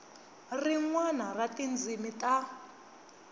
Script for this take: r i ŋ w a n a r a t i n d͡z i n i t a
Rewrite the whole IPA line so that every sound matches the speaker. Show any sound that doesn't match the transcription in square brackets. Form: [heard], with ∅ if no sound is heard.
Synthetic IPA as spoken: r i ŋ w a n a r a t i n d͡z i [m] i t a